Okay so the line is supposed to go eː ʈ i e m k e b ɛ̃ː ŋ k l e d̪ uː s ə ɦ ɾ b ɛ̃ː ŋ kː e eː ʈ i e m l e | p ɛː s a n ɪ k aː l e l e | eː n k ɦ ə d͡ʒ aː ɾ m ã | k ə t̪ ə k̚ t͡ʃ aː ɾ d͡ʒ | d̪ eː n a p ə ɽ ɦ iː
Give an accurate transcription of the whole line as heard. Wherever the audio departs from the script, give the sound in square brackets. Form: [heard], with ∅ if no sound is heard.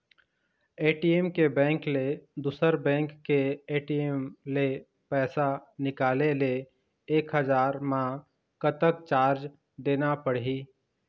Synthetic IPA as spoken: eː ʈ i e m k e b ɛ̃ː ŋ k l e d̪ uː s ə [∅] ɾ b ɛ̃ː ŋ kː e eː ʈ i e m l e | p ɛː s a n ɪ k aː l e l e | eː [∅] k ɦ ə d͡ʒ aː ɾ m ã | k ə t̪ ə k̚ t͡ʃ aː ɾ d͡ʒ | d̪ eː n a p ə ɽ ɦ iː

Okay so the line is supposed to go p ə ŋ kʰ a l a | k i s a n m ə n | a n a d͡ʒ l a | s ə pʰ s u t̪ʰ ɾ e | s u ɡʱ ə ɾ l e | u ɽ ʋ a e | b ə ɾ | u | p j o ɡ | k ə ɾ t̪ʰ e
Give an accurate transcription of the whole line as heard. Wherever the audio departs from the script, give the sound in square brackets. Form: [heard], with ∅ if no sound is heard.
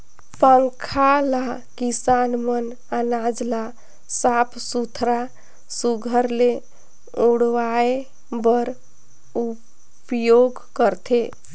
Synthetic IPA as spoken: p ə ŋ kʰ a l a | k i s a n m ə n | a n a d͡ʒ l a | s [a] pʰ s u t̪ʰ ɾ [a] | s u ɡʱ ə ɾ l e | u ɽ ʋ a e | b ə ɾ | u | p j o ɡ | k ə ɾ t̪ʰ e

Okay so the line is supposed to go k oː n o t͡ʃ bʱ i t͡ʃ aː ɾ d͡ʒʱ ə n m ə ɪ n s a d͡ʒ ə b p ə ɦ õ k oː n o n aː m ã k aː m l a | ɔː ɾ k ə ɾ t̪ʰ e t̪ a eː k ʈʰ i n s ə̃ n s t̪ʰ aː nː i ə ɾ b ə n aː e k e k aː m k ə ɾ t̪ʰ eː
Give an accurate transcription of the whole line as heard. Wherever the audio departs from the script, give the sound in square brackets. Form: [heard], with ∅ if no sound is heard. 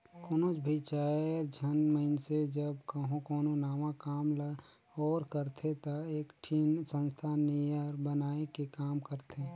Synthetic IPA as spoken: k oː n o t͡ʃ bʱ i t͡ʃ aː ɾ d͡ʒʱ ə n m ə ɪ n s [e] d͡ʒ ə b [k] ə ɦ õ k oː n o n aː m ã k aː m l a | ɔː ɾ k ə ɾ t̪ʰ e t̪ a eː k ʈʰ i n s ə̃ n s t̪ʰ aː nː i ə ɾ b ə n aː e k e k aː m k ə ɾ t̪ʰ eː

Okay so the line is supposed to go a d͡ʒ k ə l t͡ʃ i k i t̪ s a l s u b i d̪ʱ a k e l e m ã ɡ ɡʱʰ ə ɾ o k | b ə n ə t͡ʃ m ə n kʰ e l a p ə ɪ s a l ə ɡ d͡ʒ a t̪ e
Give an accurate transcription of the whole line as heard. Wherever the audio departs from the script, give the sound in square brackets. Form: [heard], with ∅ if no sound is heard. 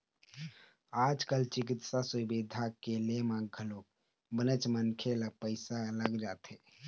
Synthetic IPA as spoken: a d͡ʒ k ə l t͡ʃ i k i t̪ s a [∅] s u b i d̪ʱ a k e l e m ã ɡ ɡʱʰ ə [l] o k | b ə n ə t͡ʃ m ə n kʰ e l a p ə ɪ s a l ə ɡ d͡ʒ a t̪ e

